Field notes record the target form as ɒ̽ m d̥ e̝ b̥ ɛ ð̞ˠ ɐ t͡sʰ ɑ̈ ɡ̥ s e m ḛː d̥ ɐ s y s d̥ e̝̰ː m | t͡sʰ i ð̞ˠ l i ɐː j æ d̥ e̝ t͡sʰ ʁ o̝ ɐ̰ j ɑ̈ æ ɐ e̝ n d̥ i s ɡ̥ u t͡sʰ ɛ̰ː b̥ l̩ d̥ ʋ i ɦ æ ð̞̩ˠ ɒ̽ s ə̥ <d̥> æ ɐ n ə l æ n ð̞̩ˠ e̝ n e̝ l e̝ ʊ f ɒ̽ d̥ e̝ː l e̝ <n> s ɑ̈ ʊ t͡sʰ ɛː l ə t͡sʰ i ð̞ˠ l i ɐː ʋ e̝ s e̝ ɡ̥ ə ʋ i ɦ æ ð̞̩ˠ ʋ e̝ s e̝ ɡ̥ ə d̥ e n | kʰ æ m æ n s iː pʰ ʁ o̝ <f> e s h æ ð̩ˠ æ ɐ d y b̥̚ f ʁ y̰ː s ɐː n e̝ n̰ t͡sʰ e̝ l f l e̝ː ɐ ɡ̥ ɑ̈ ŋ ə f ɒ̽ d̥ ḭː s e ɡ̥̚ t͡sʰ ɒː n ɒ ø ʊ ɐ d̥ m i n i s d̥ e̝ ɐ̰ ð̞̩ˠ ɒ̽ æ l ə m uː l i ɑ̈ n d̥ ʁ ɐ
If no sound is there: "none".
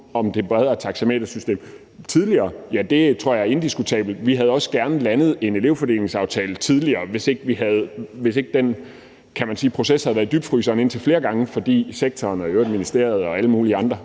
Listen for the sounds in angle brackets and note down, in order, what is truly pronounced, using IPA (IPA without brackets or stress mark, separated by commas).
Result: ɡ̥, ŋ, s